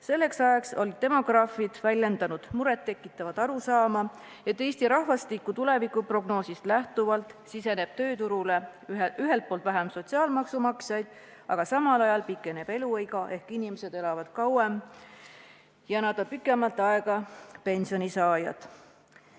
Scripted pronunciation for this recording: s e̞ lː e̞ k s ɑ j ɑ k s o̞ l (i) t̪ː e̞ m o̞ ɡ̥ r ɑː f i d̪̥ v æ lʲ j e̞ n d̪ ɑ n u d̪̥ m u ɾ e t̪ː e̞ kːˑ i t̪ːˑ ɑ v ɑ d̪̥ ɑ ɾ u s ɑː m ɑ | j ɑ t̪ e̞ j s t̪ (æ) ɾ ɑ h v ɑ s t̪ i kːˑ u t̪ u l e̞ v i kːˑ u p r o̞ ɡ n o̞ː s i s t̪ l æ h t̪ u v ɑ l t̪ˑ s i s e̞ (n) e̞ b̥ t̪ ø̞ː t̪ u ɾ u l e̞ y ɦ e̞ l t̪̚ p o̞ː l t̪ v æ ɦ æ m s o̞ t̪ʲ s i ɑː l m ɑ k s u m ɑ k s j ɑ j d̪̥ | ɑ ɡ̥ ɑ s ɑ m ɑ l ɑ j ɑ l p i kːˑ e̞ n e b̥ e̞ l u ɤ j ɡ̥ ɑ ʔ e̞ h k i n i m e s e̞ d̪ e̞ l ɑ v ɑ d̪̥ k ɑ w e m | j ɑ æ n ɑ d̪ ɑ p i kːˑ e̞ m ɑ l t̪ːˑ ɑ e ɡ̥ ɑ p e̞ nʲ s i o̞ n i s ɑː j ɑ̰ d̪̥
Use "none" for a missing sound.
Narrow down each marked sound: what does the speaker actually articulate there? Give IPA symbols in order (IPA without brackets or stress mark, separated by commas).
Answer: i, i, n